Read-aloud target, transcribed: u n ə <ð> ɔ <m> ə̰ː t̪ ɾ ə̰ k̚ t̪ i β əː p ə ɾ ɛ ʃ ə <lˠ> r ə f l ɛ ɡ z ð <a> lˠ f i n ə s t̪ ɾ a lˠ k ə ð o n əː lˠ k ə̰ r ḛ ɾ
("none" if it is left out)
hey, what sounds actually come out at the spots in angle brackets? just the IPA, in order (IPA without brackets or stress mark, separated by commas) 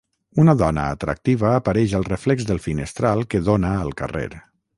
ð, n, lˠ, ə